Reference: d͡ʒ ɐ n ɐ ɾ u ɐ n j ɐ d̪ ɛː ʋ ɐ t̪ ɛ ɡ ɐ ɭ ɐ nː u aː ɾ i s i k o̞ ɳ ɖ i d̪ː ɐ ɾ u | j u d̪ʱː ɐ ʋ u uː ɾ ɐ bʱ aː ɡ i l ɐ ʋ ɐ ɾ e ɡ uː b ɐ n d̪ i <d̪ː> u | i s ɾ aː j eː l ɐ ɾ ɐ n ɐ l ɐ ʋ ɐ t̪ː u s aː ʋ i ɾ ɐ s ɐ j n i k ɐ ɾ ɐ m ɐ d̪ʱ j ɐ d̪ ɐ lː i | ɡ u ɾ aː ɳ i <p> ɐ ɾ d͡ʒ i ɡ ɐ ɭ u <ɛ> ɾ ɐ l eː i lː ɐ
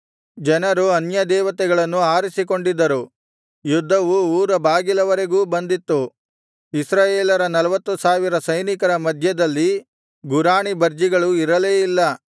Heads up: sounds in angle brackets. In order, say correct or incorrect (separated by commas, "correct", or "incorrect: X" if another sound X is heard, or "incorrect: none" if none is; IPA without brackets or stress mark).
incorrect: t̪ː, incorrect: b, incorrect: i